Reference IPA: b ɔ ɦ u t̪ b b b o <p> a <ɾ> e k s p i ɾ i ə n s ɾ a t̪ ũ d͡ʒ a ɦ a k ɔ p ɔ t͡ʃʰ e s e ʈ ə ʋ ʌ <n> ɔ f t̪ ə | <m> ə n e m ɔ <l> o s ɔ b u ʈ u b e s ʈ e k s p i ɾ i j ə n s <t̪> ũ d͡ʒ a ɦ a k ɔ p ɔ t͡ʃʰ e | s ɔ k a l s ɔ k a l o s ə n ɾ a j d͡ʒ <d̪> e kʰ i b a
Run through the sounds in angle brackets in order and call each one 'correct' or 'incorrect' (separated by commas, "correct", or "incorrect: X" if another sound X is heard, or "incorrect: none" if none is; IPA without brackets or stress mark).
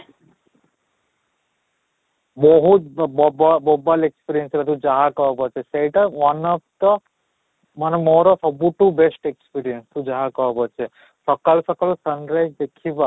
incorrect: b, incorrect: l, correct, correct, incorrect: ɾ, correct, correct